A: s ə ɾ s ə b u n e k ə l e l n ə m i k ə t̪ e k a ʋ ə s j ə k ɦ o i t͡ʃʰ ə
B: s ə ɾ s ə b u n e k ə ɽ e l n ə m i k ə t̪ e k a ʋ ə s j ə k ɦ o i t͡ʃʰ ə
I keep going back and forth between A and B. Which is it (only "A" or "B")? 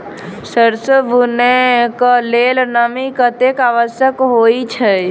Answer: A